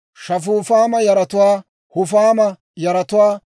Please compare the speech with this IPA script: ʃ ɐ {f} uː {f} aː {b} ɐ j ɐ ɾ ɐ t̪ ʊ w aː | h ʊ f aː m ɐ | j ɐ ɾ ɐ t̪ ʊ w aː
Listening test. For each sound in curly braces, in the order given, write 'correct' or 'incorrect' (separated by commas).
correct, correct, incorrect